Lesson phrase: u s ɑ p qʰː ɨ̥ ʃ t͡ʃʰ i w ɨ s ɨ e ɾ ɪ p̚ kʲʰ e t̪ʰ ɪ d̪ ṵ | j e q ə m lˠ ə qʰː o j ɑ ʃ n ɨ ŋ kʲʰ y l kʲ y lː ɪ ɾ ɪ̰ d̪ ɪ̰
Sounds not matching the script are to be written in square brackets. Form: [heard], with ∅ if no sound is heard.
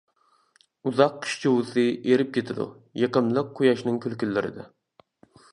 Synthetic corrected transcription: u [z] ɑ [q] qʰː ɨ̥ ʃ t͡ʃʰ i w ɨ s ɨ e ɾ ɪ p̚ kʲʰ e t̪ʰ ɪ d̪ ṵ | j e q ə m lˠ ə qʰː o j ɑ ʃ n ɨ ŋ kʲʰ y l kʲ y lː ɪ ɾ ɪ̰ d̪ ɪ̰